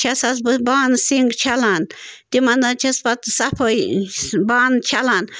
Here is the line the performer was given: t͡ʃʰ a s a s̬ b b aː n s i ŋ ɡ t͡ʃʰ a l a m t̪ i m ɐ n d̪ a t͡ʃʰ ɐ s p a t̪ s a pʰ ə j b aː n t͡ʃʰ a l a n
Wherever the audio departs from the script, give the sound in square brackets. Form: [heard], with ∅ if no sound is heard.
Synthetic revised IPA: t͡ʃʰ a s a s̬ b b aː n s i ŋ ɡ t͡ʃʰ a l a [n] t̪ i m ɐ n d̪ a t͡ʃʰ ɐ s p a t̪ s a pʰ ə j b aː n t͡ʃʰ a l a n